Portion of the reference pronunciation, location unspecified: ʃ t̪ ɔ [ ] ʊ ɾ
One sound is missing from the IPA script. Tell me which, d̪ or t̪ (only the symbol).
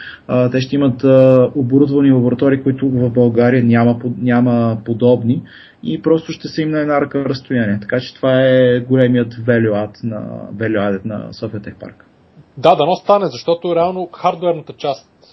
t̪